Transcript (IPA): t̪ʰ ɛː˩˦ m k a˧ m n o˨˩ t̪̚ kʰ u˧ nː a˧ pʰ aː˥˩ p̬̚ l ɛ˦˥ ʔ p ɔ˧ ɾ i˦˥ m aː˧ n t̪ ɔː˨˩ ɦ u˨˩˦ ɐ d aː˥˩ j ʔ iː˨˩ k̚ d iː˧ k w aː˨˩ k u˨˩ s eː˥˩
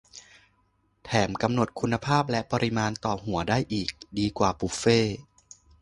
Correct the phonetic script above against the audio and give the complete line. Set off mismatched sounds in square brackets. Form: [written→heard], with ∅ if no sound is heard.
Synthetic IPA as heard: t̪ʰ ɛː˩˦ m k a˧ m n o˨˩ t̪̚ kʰ u˧ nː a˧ pʰ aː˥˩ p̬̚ l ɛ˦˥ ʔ p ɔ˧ ɾ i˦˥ m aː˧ n t̪ ɔː˨˩ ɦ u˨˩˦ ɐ d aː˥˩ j ʔ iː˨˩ k̚ d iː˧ k w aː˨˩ [k→p] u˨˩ [s→f] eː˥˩